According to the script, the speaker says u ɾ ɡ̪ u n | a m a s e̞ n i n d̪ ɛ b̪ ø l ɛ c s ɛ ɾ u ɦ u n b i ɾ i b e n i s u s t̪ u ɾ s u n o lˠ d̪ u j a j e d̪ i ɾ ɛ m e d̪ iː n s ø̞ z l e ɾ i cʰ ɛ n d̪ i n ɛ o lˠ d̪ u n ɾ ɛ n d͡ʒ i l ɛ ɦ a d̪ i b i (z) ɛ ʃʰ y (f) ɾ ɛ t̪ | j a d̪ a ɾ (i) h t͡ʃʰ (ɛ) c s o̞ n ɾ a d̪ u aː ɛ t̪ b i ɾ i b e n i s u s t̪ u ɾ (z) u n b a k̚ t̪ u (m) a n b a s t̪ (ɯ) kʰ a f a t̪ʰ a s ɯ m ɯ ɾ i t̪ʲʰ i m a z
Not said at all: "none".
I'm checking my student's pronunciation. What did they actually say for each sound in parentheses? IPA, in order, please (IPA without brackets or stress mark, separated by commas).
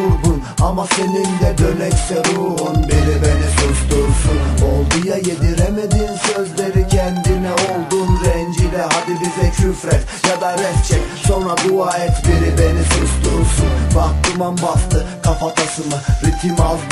z, f, ɛ, ɛ, s, m, ɯ